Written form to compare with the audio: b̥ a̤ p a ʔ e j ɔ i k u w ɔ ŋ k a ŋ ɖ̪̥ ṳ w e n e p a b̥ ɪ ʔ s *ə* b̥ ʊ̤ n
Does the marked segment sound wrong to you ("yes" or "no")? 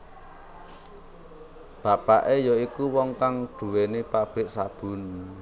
yes